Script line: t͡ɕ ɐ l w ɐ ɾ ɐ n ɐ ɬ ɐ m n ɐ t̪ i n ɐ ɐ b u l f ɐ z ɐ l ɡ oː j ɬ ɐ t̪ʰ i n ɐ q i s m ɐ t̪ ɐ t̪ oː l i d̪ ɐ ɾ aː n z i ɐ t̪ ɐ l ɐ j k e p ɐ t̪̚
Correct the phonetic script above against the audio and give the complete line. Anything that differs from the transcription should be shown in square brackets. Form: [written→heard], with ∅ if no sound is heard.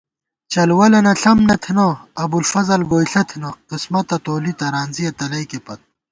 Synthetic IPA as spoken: t͡ɕ ɐ l w ɐ [ɾ→l] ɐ n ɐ ɬ ɐ m n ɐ [t̪→t̪ʰ] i n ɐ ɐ b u l f ɐ z ɐ l ɡ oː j ɬ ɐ t̪ʰ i n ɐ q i s m ɐ t̪ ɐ t̪ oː l i [d̪→t̪] ɐ ɾ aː n z i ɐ t̪ ɐ l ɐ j k e p ɐ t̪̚

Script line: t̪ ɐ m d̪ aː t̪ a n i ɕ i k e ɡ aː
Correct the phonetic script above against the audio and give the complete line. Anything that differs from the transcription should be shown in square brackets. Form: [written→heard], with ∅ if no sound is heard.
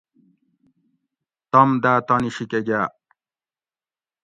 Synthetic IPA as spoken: t̪ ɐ m d̪ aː t̪ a n i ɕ i k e ɡ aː

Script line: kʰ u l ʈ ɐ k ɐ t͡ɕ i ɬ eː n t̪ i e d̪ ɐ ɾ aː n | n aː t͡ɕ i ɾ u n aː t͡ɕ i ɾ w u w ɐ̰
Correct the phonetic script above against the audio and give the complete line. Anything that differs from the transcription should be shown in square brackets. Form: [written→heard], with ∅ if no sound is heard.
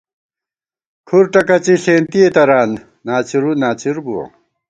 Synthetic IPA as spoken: kʰ u [l→ɾ] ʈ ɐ k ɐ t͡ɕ i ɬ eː n t̪ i e [d̪→t̪] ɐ ɾ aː n | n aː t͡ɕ i ɾ u n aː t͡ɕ i ɾ [w→b] u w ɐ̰

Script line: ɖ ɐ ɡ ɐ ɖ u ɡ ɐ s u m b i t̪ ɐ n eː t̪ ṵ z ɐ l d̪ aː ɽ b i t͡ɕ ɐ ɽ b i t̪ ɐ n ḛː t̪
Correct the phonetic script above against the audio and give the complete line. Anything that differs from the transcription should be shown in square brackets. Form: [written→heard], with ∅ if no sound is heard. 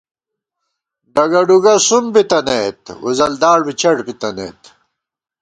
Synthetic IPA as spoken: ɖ ɐ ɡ ɐ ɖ u ɡ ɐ s u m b i t̪ ɐ n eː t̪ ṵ z ɐ l d̪ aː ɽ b i t͡ɕ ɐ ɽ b i t̪ ɐ n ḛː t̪

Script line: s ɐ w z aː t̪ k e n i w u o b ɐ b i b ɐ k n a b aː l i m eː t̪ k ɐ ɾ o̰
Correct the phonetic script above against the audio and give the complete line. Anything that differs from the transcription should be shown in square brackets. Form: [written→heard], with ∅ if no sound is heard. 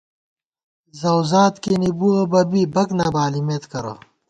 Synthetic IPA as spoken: [s→z] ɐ w z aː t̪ k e n i [w→b] u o b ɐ b i b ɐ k n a b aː l i m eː t̪ k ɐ ɾ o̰

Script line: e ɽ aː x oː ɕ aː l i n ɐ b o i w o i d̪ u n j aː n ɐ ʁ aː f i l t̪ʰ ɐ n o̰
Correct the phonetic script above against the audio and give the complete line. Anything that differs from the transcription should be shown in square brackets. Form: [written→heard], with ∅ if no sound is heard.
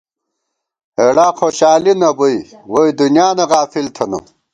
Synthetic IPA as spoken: e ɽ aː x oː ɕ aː l i n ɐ b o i w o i d̪ u n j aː n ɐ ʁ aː f i l t̪ʰ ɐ n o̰

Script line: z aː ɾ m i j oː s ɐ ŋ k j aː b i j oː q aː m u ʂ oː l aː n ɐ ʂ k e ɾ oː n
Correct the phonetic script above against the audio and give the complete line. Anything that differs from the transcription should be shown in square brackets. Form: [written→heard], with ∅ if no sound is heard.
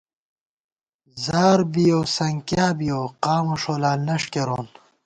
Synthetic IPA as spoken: z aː ɾ [m→b] i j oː s ɐ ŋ k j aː b i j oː q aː m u ʂ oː l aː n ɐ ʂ k e ɾ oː n

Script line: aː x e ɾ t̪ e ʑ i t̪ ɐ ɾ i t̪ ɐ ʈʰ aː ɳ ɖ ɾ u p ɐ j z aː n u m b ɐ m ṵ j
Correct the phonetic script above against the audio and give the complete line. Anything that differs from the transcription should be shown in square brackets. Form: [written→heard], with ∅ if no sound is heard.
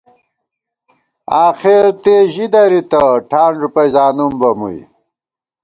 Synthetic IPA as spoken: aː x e ɾ t̪ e ʑ i [t̪→d̪] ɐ ɾ i t̪ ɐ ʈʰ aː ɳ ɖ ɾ u p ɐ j z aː n u m b ɐ m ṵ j

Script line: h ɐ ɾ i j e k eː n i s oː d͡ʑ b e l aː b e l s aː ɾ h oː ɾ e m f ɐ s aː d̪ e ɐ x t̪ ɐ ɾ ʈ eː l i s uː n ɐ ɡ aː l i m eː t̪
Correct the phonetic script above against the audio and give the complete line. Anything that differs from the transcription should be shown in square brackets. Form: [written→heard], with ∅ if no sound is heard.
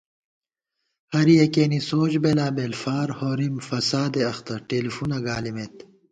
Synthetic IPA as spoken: h ɐ ɾ i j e k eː n i s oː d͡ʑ b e l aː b e l [s→f] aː ɾ h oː ɾ [e→i] m f ɐ s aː d̪ e ɐ x t̪ ɐ ɾ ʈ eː l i [s→f] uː n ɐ ɡ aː l i m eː t̪

